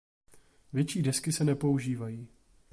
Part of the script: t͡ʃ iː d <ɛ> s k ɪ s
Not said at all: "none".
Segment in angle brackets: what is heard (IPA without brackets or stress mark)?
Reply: ɛ